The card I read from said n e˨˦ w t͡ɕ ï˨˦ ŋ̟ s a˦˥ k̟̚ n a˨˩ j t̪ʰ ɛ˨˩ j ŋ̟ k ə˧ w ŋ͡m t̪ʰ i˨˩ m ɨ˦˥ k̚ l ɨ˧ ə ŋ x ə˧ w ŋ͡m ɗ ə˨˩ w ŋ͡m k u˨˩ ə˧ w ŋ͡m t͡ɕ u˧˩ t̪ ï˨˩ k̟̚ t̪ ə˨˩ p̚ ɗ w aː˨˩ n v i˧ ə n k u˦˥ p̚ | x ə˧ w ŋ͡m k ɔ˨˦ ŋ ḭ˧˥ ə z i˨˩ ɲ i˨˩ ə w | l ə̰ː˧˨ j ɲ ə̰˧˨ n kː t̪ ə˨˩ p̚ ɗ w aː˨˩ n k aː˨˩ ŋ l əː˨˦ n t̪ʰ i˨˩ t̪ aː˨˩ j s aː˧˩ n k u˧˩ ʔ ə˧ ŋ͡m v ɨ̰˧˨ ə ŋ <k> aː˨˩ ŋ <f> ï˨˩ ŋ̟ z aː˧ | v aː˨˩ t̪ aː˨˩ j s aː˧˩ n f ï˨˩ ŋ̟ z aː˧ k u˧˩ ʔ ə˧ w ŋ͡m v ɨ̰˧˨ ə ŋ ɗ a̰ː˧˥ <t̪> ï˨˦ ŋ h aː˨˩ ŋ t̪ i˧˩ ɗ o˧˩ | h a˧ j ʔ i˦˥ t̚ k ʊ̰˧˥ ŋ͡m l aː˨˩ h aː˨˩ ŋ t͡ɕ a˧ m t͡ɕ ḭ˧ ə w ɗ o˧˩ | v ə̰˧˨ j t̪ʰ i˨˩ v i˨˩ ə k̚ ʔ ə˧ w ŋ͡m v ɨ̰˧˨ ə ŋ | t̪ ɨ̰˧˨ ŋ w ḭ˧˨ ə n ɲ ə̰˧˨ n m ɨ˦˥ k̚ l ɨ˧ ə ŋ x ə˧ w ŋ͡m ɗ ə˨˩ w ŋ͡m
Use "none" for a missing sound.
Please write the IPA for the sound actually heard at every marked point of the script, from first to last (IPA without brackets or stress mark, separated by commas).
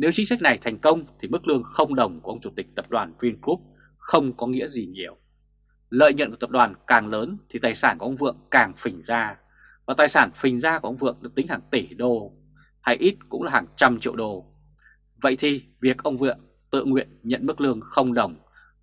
k, f, t̪